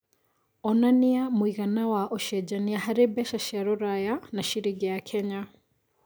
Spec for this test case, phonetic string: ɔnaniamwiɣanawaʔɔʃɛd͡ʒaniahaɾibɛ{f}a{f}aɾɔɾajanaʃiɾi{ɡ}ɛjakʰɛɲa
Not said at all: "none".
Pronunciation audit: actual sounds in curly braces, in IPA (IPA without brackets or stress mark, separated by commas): ʃ, ʃ, ɡ